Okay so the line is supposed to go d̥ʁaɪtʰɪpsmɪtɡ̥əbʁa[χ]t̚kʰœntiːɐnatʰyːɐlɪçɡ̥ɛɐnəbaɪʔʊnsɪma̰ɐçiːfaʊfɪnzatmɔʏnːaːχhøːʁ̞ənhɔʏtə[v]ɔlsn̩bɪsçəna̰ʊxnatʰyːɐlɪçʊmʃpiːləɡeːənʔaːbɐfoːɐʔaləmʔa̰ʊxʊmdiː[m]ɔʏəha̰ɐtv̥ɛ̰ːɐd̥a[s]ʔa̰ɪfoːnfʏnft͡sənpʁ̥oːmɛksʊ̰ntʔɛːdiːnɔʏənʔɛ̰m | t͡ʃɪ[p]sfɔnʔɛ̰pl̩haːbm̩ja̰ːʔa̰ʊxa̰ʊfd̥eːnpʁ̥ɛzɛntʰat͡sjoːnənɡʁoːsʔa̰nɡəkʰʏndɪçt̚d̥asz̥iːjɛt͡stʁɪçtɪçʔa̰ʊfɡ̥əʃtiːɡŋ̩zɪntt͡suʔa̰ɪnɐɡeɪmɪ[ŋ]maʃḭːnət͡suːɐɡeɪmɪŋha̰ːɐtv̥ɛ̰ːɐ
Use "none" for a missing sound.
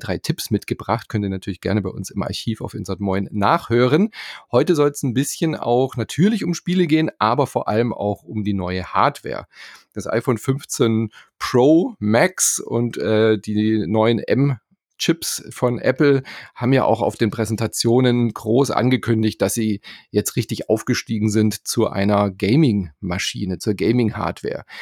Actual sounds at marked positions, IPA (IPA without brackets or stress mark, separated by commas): χ, z, n, s, p, ŋ